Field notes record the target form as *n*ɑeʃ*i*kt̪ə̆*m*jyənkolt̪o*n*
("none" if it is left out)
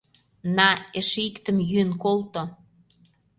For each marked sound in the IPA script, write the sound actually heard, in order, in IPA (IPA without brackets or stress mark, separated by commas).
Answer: n, i, m, none